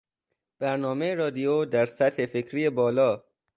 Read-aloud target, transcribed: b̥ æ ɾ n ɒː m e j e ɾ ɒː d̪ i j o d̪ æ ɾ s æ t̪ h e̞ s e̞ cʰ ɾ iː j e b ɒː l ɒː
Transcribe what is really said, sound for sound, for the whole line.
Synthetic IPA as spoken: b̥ æ ɾ n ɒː m e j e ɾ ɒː d̪ i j o d̪ æ ɾ s æ t̪ h e̞ f e̞ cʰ ɾ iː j e b ɒː l ɒː